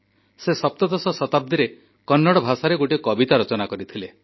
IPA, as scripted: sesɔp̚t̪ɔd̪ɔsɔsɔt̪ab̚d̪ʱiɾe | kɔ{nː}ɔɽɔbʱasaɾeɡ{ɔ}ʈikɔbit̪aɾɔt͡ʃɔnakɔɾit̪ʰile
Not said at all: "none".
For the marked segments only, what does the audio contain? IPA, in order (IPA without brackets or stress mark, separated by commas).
nː, o